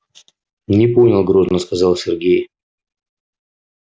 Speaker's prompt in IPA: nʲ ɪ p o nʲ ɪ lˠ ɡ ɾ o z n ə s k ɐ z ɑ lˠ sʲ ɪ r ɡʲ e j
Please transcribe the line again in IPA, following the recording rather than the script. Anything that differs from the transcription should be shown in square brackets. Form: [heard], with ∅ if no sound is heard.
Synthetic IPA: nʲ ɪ p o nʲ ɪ lˠ ɡ ɾ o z n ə s k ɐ z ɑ lˠ sʲ ɪ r ɡʲ e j